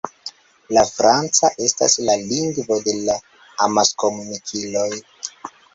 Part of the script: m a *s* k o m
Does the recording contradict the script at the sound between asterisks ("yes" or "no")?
no